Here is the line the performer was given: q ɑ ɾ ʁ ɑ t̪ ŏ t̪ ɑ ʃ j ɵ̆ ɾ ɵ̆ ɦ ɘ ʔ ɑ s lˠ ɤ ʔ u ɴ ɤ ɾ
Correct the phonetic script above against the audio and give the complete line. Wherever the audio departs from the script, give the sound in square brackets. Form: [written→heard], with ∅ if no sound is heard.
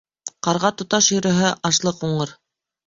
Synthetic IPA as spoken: q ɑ ɾ ʁ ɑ t̪ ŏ t̪ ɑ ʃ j ɵ̆ ɾ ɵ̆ ɦ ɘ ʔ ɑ [s→ʃ] lˠ ɤ [ʔ→q] u ɴ ɤ ɾ